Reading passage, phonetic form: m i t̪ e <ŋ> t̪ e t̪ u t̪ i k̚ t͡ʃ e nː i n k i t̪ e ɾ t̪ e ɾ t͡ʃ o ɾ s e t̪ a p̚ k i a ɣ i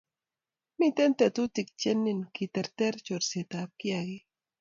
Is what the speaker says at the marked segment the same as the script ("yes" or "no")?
no